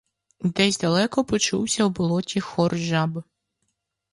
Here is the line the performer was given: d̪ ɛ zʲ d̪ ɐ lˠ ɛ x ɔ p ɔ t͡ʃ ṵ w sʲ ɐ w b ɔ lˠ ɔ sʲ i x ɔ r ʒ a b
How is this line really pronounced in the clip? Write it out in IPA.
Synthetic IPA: d̪ ɛ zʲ d̪ ɐ lˠ ɛ k ɔ p ɔ t͡ʃ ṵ w sʲ ɐ w b ɔ lˠ ɔ tʲ i x ɔ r ʒ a b

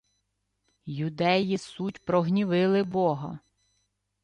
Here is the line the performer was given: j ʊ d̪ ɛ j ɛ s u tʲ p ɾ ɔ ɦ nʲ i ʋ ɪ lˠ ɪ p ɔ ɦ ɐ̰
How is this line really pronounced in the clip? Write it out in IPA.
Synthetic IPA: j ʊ d̪ ɛ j i s u tʲ p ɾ ɔ ɦ nʲ i ʋ ɪ lˠ ɪ b ɔ ɦ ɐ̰

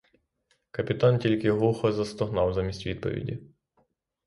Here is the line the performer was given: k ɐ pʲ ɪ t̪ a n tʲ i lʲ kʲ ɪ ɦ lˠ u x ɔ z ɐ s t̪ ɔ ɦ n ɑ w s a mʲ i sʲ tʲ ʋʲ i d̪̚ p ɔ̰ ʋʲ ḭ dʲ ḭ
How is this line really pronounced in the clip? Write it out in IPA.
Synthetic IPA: k ɐ pʲ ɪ t̪ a n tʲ i lʲ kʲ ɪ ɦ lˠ u x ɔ z ɐ s t̪ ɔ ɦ n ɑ w z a mʲ i sʲ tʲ ʋʲ i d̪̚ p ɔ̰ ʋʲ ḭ dʲ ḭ

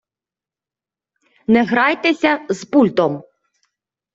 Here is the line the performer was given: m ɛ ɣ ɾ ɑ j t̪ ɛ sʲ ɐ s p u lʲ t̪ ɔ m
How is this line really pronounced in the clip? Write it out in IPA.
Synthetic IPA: n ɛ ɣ ɾ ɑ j t̪ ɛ sʲ ɐ z p u lʲ t̪ ɔ m

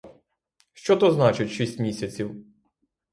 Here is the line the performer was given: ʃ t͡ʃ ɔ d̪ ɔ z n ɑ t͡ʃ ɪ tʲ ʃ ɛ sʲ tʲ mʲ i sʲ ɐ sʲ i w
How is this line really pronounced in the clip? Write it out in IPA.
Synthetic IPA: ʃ t͡ʃ ɔ t̪ ɔ z n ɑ t͡ʃ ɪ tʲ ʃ i sʲ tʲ mʲ i sʲ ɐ t͡sʲ i w

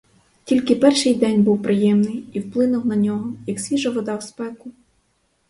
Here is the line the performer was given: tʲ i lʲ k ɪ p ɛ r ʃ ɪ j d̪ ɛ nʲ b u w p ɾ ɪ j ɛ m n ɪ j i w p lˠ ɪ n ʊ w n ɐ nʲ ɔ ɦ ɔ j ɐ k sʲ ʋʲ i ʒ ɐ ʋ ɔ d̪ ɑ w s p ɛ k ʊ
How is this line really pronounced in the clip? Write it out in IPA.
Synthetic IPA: tʲ i lʲ k ɪ p ɛ r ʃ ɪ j d̪ ɛ nʲ b u w p ɾ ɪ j ɛ m n ɪ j i w p lˠ ɪ n ʊ w n ɐ nʲ ɔ ɦ ɔ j ɐ k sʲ ʋʲ i ʒ ɐ ʋ ɔ d̪ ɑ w s p ɛ k ʊ

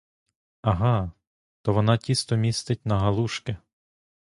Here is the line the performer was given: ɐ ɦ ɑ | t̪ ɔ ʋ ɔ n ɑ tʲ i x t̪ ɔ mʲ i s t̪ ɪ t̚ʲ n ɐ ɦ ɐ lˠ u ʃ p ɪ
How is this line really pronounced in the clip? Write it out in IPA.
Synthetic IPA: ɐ ɦ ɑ | t̪ ɔ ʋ ɔ n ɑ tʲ i s t̪ ɔ mʲ i s t̪ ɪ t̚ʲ n ɐ ɦ ɐ lˠ u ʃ k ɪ

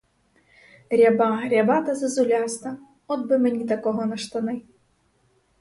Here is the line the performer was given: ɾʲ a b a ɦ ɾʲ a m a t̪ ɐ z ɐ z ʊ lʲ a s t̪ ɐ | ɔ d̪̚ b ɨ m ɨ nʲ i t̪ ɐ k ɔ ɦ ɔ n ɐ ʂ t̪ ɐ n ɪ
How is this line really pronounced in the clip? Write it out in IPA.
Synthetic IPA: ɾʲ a b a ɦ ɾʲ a b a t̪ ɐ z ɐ z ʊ lʲ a s t̪ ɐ | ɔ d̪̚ b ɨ m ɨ nʲ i t̪ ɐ k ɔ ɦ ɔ n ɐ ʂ t̪ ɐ n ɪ

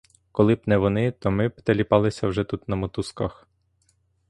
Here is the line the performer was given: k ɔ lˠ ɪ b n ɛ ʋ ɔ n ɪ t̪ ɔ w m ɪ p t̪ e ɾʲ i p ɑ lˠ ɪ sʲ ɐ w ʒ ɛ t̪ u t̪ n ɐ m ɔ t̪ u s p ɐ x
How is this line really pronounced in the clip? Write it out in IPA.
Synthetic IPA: k ɔ lˠ ɪ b n ɛ ʋ ɔ n ɪ t̪ ɔ m ɪ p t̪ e lʲ i p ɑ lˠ ɪ sʲ ɐ w ʒ ɛ t̪ u t̪ n ɐ m ɔ t̪ u s k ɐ x

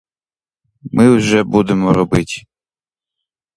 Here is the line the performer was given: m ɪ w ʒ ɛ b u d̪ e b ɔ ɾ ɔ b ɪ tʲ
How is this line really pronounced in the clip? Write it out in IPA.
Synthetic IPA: m ɪ w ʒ ɛ b u d̪ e m ɔ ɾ ɔ b ɪ tʲ

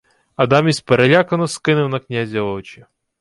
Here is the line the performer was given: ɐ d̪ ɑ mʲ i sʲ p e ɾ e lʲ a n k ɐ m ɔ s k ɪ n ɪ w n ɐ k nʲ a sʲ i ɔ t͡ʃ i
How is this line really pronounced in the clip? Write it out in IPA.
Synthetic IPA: ɐ d̪ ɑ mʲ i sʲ p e ɾ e lʲ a k ɐ n ɔ s k ɪ n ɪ w n ɐ k nʲ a zʲ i ɔ t͡ʃ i

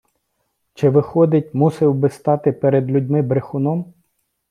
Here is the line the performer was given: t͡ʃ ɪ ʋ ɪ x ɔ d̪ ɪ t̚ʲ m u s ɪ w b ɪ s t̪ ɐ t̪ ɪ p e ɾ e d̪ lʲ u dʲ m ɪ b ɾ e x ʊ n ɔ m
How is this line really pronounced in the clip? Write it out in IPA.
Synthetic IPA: t͡ʃ ɪ ʋ ɪ x ɔ d̪ ɪ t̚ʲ m u s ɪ w b ɪ s t̪ ɑ t̪ ɪ p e ɾ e d̪ lʲ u dʲ m ɪ b ɾ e x ʊ n ɔ m

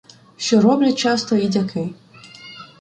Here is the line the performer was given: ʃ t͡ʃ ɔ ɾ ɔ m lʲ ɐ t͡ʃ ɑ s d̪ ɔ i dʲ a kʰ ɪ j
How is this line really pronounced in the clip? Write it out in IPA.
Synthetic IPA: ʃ t͡ʃ ɔ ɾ ɔ b lʲ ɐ t͡ʃ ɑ s t̪ ɔ i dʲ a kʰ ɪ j

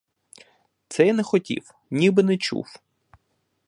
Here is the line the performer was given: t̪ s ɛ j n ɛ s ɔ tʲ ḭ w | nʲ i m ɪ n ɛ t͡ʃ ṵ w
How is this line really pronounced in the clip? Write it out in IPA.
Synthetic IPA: t̪ s ɛ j n ɛ x ɔ tʲ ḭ w | nʲ i b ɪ n ɛ t͡ʃ ṵ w

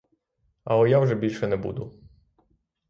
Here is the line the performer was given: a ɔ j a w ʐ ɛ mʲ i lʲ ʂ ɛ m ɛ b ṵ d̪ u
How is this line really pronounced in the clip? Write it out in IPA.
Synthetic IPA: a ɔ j a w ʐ ɛ bʲ i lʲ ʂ ɛ n ɛ b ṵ d̪ u

